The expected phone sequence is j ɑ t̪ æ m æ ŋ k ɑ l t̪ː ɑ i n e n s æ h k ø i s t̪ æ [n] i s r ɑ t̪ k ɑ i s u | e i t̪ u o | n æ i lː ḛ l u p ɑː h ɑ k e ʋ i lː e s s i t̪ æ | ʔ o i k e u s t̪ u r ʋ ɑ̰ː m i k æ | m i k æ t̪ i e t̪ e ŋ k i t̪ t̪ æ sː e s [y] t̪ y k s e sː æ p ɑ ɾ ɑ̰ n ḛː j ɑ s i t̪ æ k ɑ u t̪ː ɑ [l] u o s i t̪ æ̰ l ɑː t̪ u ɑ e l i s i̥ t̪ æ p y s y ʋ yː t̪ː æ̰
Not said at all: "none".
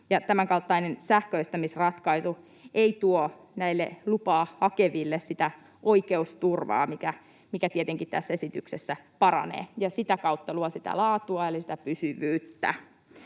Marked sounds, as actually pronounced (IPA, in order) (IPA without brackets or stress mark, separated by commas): m, i, l